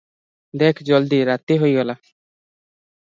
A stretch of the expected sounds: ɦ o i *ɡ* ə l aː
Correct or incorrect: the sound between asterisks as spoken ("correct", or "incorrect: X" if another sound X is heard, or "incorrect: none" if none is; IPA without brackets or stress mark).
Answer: correct